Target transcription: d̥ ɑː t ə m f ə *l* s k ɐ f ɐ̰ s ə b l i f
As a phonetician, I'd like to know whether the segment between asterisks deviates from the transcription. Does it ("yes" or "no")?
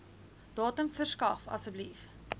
yes